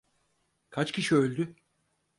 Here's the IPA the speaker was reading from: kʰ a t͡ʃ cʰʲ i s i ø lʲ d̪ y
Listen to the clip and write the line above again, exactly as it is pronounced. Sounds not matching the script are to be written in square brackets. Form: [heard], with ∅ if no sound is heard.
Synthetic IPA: kʰ a t͡ʃ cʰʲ i [ʃ] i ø lʲ d̪ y